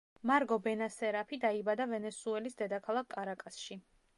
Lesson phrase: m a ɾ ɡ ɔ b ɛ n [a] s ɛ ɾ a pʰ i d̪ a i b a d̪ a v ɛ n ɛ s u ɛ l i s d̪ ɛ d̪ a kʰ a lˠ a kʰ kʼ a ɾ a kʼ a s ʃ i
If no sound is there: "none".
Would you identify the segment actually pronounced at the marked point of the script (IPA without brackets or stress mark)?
a